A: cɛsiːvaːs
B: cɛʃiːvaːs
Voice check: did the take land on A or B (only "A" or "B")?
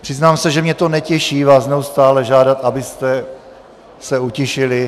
B